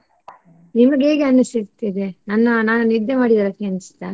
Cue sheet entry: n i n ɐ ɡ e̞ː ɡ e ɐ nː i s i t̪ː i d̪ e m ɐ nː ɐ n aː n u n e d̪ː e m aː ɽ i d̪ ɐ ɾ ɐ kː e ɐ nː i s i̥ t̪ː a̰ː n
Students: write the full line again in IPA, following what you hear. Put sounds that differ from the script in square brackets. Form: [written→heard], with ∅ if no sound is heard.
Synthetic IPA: n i [n→m] ɐ ɡ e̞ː ɡ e ɐ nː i s i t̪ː i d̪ e [m→n] ɐ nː ɐ n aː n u n [e→i] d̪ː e m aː ɽ i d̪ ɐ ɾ ɐ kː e ɐ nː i s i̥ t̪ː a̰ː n

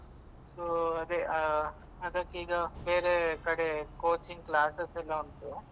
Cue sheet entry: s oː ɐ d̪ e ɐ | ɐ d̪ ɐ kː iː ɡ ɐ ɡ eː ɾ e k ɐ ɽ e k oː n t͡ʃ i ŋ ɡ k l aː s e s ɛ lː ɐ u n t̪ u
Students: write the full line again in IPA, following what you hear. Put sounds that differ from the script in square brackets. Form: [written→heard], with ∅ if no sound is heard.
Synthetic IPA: s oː ɐ d̪ e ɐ | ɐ d̪ ɐ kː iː ɡ ɐ [ɡ→b] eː ɾ e k ɐ ɽ e k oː [n→∅] t͡ʃ i ŋ ɡ k l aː s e s ɛ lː ɐ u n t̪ u

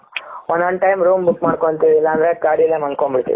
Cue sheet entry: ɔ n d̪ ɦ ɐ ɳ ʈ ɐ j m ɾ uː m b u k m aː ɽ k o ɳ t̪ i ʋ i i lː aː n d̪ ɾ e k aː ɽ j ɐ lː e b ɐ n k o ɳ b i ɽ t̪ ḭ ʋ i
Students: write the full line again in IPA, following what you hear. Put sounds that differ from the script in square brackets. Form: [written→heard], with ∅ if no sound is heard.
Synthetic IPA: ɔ n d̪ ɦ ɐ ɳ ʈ ɐ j m ɾ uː m b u k m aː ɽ k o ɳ t̪ i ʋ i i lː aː n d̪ ɾ e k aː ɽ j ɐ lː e [b→m] ɐ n k o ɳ b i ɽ t̪ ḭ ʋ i

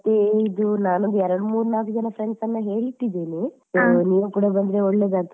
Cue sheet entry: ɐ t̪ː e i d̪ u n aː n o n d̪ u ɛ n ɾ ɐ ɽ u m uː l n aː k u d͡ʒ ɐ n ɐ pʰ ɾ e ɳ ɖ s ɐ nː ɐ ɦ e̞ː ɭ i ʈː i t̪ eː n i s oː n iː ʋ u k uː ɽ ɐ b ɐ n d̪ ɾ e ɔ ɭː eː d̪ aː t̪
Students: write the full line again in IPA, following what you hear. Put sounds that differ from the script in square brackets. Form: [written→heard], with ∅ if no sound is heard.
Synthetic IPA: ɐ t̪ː e i d̪ u n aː n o n d̪ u ɛ [n→∅] ɾ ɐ ɽ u m uː [l→ɾ] n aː k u d͡ʒ ɐ n ɐ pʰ ɾ e ɳ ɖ s ɐ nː ɐ ɦ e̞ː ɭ i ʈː i [t̪→d̪] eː n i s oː n iː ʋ u k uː ɽ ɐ b ɐ n d̪ ɾ e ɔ ɭː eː d̪ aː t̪

